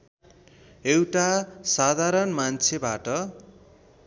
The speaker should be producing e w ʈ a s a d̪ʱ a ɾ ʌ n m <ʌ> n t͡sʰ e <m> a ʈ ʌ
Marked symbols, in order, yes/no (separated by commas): no, no